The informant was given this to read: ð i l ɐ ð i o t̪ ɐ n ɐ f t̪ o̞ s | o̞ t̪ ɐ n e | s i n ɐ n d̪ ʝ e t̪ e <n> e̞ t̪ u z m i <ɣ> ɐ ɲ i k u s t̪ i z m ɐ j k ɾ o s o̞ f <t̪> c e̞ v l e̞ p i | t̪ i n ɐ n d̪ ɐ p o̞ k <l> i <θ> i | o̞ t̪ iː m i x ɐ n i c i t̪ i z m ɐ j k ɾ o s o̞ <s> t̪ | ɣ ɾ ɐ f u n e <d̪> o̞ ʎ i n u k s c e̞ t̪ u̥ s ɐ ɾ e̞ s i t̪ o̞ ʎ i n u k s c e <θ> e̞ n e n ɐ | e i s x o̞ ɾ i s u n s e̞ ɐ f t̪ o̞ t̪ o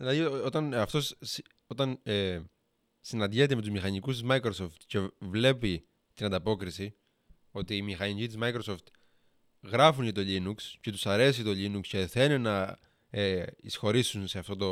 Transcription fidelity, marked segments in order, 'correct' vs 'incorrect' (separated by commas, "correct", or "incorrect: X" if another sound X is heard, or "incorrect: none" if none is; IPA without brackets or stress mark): incorrect: m, incorrect: x, correct, incorrect: ɾ, incorrect: s, incorrect: f, incorrect: t̪, correct